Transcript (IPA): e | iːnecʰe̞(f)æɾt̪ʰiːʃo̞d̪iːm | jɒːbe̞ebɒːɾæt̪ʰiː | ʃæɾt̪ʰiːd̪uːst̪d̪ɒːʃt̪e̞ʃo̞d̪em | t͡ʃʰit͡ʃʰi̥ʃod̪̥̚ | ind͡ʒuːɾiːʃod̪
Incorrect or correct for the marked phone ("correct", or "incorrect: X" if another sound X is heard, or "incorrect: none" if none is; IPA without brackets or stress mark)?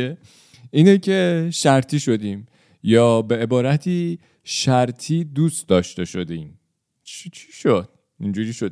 incorrect: ʃ